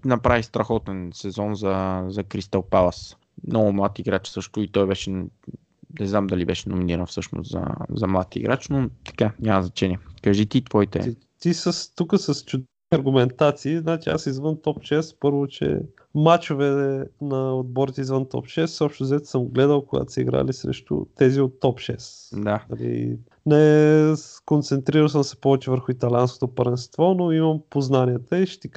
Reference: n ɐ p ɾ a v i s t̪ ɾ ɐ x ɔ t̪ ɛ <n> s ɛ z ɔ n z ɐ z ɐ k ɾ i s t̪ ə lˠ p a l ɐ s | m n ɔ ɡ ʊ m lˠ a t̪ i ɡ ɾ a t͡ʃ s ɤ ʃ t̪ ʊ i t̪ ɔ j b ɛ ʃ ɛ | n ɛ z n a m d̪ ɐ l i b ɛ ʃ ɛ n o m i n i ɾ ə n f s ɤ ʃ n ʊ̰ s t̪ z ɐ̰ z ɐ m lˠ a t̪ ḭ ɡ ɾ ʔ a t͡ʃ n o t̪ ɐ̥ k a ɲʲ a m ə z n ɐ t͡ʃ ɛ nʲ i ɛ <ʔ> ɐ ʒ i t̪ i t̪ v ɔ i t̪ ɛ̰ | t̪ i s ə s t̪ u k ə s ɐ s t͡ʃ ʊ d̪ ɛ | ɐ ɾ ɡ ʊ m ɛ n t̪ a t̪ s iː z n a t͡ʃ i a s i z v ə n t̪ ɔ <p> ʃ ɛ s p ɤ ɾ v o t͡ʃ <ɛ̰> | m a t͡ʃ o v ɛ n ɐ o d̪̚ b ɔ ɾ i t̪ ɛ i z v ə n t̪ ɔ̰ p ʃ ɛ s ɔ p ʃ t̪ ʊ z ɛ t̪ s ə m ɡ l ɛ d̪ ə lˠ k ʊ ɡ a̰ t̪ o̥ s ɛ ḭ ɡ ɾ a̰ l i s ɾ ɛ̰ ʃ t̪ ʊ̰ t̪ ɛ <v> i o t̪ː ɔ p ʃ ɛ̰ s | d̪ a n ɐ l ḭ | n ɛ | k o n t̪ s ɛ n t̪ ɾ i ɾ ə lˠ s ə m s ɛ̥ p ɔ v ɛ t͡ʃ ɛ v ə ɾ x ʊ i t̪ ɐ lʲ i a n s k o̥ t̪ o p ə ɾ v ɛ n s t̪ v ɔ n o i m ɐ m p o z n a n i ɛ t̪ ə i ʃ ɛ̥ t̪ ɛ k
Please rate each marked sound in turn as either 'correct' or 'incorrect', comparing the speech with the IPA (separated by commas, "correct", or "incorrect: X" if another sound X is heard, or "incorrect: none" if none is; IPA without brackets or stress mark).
correct, incorrect: k, correct, correct, incorrect: z